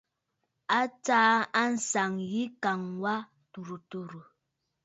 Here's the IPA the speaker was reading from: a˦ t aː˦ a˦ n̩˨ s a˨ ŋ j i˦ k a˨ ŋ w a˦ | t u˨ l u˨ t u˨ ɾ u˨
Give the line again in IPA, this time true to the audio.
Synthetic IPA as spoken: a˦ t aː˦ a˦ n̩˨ s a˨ ŋ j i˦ k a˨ ŋ w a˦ | t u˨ ɾ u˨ t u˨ ɾ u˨